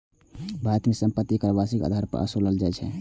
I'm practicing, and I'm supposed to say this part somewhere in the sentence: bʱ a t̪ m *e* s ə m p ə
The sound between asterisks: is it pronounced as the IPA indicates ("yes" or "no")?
yes